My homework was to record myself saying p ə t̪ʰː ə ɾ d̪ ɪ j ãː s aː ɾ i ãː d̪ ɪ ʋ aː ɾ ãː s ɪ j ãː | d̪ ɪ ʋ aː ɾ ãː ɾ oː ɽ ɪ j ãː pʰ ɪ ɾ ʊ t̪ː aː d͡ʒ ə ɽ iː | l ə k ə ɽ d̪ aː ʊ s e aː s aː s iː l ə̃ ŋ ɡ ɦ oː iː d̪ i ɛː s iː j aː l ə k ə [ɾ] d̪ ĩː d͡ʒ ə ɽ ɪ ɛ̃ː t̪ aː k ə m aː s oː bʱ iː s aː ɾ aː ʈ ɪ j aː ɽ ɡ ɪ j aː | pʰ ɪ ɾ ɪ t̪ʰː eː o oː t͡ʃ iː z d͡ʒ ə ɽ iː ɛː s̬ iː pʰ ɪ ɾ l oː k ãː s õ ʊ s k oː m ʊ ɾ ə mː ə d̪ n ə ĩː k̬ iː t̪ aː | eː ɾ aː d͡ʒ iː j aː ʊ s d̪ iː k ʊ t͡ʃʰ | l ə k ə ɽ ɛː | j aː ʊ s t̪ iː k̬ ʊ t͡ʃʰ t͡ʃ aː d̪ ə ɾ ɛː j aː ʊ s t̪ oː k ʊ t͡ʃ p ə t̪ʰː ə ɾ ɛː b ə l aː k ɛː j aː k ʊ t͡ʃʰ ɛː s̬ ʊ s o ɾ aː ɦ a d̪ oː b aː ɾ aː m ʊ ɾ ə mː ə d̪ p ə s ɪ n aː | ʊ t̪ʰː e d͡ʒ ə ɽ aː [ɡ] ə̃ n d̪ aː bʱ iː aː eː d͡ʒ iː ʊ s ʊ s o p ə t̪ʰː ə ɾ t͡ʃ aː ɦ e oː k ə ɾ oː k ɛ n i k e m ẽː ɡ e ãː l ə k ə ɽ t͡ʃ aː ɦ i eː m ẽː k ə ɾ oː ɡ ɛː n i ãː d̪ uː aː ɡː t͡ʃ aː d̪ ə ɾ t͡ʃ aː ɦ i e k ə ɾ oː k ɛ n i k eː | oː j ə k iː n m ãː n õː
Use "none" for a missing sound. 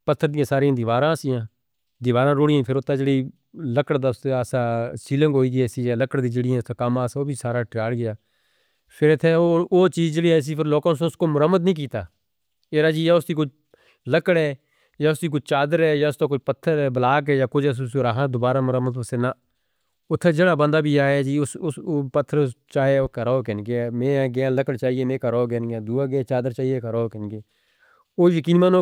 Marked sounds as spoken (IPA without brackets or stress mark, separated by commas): ɽ, b